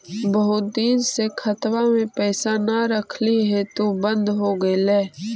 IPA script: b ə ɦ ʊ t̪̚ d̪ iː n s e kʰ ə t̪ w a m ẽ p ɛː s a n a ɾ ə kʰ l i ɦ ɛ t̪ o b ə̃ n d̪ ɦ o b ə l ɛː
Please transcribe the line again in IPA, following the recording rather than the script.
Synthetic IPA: b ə ɦ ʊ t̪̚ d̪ iː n s e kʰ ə t̪ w a m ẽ p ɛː s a n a ɾ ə kʰ l i ɦ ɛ t̪ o b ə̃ n d̪ ɦ o ɡ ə l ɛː

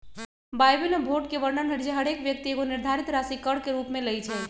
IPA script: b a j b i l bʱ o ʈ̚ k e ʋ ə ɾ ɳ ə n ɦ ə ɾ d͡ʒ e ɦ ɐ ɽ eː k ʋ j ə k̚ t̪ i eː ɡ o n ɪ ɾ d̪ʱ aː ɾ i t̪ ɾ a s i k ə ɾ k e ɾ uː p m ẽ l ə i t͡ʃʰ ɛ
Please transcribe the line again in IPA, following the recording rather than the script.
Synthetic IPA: b a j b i l bʱ o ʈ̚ k e ʋ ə ɾ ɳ ə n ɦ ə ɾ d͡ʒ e ɦ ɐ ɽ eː k ʋ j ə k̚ t̪ i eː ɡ o n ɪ ɾ d̪ʱ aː ɾ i t̪ ɾ a s i k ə ɽ k e ɾ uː p m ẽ l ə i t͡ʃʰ ɛ

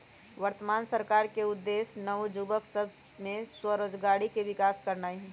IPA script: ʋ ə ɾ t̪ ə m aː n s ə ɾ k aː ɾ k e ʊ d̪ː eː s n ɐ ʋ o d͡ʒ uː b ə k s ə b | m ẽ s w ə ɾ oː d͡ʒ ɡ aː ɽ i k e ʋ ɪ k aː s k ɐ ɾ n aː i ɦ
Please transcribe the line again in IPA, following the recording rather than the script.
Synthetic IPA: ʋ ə ɾ t̪ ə m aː n s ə ɾ k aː ɾ k e ʊ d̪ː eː s n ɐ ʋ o d͡ʒ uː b ə k s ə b | m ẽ s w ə ɾ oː d͡ʒ ɡ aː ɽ i k e ʋ ɪ k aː s k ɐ ɾ n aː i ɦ

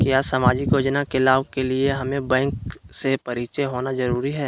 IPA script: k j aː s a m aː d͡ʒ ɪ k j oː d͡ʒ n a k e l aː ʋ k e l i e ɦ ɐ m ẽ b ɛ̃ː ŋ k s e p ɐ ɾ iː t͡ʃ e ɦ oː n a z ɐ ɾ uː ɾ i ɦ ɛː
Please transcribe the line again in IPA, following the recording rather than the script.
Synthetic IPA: k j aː s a m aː d͡ʒ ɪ k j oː d͡ʒ n a k e l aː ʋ k e l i e ɦ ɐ m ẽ b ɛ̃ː ŋ k s e p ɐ ɾ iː t͡ʃ e ɦ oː n a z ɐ ɾ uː ɾ i ɦ ɛː

